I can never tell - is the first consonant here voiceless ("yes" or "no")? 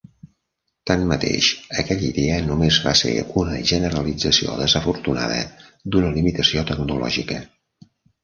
yes